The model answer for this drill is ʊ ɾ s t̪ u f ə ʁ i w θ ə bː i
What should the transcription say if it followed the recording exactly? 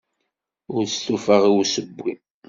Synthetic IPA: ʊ ɾ s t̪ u f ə ʁ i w s ə bː i